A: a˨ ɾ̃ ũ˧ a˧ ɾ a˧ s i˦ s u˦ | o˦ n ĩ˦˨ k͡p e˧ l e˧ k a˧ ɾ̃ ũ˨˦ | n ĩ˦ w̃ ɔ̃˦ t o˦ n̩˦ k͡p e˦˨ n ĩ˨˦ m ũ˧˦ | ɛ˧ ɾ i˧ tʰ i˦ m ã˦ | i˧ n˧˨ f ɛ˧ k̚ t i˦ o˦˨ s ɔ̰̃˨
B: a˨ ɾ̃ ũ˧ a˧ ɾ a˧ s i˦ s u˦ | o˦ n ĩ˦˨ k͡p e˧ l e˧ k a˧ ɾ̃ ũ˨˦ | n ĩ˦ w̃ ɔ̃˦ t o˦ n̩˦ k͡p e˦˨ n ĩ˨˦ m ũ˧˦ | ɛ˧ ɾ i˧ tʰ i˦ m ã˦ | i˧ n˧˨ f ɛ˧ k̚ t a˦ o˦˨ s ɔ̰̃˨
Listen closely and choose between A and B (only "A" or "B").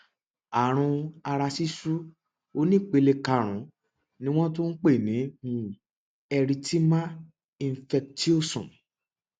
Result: A